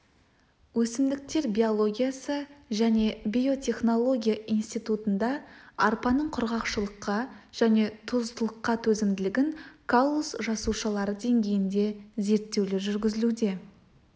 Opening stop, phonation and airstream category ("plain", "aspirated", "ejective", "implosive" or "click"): plain